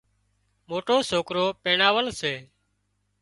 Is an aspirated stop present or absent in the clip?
absent